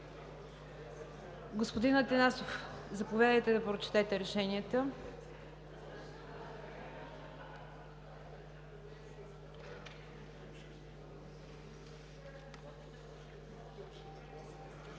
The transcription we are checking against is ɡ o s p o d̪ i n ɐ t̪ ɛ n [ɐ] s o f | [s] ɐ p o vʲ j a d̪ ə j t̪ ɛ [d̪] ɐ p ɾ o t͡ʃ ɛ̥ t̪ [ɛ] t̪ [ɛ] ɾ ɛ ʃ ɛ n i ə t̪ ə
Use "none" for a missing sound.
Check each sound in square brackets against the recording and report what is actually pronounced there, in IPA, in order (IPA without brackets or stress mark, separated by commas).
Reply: a, z, d̪, ɛ, ɛ